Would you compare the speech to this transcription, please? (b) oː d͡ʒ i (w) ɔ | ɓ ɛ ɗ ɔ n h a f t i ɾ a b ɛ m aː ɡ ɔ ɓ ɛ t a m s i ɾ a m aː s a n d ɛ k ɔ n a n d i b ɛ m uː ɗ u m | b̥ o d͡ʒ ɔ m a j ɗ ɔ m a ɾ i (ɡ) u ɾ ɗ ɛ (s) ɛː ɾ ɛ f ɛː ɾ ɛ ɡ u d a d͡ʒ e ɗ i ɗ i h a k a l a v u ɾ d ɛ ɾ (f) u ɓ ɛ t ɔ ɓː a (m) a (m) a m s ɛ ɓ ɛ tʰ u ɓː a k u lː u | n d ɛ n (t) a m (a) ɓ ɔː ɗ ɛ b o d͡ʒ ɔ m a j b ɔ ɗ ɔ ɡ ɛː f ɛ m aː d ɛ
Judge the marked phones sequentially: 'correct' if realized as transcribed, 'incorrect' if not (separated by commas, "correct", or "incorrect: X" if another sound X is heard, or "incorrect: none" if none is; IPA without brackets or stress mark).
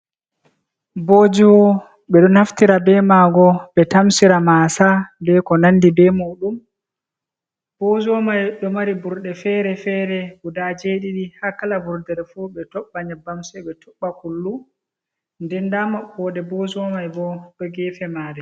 correct, correct, incorrect: b, incorrect: f, correct, incorrect: ɲ, incorrect: b, incorrect: d, correct